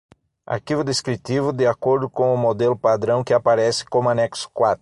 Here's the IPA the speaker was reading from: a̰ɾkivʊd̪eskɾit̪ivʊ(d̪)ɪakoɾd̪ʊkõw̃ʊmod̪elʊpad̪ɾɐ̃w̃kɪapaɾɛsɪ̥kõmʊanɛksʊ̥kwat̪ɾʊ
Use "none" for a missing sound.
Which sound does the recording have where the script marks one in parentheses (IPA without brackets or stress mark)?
d̪